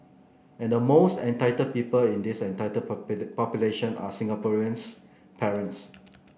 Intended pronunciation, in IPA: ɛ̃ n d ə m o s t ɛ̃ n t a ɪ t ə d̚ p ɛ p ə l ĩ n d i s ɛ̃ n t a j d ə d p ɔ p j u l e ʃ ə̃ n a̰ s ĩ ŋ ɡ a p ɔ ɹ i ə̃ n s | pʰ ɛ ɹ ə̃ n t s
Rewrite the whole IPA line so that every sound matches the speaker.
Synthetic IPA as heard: ɛ̃ n d ə m o s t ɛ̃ n t a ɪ t ə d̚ p i p ə l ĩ n d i s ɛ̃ n t a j t ə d p ɔ p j u l e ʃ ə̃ n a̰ s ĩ ŋ ɡ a p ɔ ɹ i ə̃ n s | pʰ ɛ ɹ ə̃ n t s